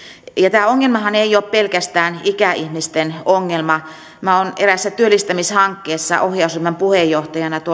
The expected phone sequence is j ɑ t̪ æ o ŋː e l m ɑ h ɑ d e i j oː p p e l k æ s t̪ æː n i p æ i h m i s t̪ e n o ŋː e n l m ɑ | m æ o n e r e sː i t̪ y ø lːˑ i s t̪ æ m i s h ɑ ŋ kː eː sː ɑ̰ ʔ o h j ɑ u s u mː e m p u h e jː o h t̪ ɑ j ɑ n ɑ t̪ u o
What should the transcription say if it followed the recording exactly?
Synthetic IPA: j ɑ t̪ æː o ŋː e l m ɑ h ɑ n e i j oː p p e l k æ s t̪ æː n i k æ i h m i s t̪ e n o ŋː e l m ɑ | m æ o n e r æ sː æ t̪ y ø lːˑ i s t̪ æ m i s h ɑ ŋ kː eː sː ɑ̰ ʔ o h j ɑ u s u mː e m p u h e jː o h t̪ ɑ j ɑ n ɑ t̪ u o